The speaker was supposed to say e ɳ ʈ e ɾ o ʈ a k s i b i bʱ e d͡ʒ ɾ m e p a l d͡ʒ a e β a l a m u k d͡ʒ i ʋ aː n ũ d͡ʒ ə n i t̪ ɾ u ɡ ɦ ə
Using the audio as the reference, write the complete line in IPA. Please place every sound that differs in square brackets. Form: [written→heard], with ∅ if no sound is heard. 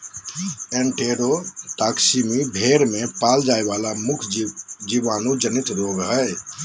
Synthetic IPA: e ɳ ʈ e ɾ o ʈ a k s i [b→m] i bʱ e [d͡ʒ→∅] ɾ m e p a l d͡ʒ a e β a l a m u [k→kʰ] d͡ʒ i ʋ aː n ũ d͡ʒ ə n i t̪ ɾ [u→o] ɡ ɦ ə